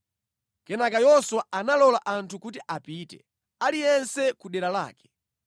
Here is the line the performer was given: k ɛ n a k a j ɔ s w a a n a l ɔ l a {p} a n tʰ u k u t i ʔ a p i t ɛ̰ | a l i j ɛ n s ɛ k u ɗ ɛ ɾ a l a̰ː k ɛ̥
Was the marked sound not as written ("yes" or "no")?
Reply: yes